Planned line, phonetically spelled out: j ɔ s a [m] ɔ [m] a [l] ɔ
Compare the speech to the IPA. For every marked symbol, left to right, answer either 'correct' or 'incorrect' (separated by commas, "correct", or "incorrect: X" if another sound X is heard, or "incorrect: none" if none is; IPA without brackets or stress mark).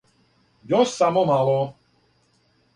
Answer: correct, correct, correct